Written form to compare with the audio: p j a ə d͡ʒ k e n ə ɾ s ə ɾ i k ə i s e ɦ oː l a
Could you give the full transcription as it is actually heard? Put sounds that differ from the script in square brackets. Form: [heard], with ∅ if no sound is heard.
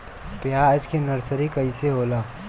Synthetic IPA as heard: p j a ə d͡ʒ k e n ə ɾ s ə ɾ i k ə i s e ɦ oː l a